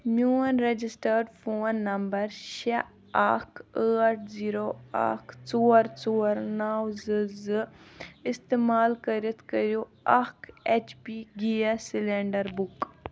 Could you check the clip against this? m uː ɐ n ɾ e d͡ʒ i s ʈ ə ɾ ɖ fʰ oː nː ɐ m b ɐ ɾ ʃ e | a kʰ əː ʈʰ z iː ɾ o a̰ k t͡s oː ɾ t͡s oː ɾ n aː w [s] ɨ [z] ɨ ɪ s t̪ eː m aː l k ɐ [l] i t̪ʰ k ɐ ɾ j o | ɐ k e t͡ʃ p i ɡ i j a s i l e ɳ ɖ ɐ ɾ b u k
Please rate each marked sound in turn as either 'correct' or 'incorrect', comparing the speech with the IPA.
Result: incorrect, correct, incorrect

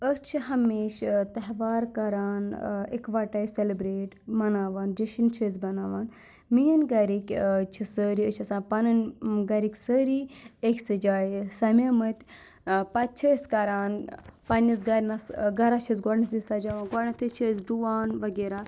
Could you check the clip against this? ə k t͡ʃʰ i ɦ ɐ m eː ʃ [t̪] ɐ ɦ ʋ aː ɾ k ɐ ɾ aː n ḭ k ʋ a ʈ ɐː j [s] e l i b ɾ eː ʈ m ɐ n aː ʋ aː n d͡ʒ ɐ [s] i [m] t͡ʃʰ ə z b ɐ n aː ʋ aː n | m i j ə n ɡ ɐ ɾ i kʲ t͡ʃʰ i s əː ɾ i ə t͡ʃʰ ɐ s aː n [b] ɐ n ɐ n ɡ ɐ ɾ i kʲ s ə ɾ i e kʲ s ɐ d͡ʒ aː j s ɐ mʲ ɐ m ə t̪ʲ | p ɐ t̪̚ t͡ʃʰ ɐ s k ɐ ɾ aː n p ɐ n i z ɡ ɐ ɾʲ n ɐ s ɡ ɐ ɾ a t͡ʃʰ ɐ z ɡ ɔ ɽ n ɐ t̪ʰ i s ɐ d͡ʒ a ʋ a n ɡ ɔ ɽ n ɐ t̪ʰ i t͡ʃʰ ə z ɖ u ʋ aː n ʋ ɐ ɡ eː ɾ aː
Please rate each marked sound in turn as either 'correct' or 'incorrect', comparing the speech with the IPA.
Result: correct, correct, incorrect, incorrect, incorrect

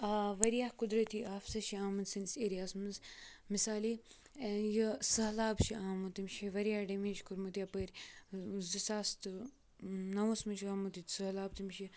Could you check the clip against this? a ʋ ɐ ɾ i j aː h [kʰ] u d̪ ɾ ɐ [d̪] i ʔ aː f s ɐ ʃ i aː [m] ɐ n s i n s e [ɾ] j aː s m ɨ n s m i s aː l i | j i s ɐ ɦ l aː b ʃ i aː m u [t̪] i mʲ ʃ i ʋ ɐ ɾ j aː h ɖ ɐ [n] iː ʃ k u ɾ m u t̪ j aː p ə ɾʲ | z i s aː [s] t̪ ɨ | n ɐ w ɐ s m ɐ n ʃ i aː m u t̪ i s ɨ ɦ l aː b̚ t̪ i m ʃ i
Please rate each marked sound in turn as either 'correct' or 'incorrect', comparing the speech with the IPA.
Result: incorrect, incorrect, correct, correct, correct, incorrect, correct

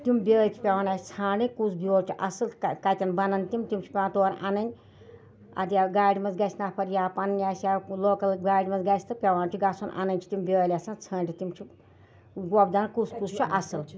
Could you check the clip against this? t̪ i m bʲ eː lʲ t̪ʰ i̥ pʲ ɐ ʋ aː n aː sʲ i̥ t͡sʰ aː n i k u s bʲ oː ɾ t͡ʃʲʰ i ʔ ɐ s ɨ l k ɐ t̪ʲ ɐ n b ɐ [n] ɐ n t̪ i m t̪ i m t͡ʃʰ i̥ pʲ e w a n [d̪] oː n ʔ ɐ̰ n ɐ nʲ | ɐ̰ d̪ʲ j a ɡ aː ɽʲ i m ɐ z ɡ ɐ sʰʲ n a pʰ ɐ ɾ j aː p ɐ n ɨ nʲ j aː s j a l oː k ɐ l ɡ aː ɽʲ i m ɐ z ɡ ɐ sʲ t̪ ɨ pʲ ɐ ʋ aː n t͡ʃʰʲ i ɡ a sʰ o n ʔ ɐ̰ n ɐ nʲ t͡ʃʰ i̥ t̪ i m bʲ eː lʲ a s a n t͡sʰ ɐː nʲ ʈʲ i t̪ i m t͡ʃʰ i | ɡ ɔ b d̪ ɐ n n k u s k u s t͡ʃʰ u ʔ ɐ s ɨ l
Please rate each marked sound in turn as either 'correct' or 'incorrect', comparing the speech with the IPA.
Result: correct, incorrect

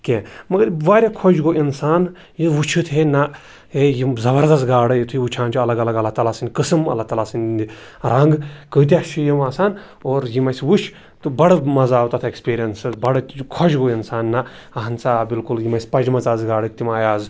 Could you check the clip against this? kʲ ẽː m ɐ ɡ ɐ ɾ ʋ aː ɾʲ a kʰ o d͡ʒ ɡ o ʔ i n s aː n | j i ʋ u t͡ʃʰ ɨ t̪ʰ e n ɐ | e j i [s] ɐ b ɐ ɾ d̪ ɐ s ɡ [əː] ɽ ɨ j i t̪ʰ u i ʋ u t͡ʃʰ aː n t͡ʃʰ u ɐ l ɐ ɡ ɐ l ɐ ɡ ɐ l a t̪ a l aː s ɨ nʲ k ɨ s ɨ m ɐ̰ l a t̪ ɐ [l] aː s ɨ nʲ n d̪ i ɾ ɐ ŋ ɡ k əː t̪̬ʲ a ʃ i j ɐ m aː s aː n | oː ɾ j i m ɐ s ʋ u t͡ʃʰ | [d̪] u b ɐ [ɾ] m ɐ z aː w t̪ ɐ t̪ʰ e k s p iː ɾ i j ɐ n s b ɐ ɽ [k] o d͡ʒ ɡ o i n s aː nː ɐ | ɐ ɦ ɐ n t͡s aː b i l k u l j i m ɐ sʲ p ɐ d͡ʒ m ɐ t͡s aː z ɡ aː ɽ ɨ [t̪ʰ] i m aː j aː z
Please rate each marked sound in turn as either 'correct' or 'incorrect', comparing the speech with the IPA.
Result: incorrect, incorrect, correct, incorrect, incorrect, incorrect, incorrect

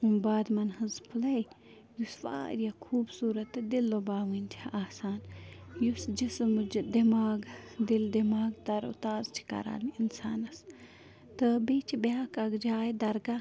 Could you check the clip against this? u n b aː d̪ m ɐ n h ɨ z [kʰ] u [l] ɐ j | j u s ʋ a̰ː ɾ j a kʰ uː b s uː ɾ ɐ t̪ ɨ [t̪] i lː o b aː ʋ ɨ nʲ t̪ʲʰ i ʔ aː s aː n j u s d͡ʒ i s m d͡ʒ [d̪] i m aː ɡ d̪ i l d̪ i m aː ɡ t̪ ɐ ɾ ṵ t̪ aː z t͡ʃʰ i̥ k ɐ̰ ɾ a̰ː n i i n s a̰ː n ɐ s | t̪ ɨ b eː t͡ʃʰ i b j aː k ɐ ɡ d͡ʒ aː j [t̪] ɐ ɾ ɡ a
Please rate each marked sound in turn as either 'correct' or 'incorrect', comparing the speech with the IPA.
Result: incorrect, correct, incorrect, correct, incorrect

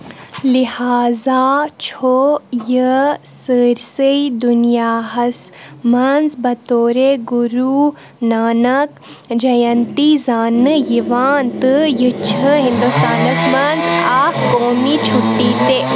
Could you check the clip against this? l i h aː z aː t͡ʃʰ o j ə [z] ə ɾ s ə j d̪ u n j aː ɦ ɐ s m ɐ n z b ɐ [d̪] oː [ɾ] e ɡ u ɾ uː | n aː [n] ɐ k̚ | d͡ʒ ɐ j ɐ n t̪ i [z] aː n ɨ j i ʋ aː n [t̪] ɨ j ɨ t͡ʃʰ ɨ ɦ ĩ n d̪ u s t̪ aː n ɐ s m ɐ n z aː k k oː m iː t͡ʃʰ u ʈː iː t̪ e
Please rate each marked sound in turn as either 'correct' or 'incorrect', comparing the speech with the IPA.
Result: incorrect, incorrect, correct, correct, correct, correct

